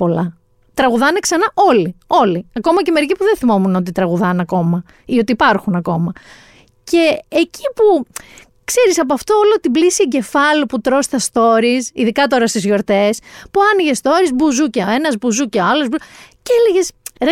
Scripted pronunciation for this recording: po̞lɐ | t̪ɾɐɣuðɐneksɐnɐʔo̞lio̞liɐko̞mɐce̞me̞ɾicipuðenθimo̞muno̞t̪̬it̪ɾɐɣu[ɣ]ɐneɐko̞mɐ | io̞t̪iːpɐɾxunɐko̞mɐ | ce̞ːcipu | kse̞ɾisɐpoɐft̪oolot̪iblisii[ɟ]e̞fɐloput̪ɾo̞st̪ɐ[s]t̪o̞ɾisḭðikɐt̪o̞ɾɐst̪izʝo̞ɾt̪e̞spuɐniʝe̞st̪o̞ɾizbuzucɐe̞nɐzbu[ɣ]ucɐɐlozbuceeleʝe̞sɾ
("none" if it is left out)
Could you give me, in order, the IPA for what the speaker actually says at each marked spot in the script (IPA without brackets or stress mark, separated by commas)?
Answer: ð, ɟ, s, z